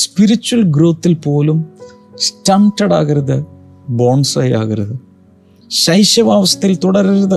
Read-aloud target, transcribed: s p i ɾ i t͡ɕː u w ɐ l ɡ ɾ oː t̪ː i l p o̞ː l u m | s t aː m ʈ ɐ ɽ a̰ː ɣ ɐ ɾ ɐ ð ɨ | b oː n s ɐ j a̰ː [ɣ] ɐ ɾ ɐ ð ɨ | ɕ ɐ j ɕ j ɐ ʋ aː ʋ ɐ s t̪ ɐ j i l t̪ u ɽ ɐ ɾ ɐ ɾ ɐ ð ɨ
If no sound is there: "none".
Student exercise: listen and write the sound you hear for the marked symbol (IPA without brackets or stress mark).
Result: ɣ